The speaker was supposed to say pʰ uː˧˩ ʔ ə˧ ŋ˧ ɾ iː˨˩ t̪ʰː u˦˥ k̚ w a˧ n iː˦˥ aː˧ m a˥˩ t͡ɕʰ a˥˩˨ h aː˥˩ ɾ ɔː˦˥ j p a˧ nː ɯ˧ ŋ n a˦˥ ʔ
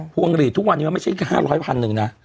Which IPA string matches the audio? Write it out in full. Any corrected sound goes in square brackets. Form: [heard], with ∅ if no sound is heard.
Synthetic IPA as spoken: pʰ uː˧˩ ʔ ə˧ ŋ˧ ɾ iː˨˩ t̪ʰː u˦˥ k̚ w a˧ n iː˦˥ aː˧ m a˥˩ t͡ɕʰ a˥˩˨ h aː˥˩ ɾ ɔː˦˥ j [pʰ] a˧ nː [ɯ˨˩] ŋ n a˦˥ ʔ